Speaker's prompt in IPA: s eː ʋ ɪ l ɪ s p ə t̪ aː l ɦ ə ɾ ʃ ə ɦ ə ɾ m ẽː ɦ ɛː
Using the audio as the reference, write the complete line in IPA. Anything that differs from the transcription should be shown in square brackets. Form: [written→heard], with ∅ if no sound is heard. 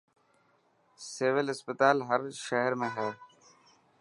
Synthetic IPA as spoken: s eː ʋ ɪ l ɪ s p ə t̪ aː l ɦ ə ɾ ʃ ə ɦ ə ɾ m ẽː ɦ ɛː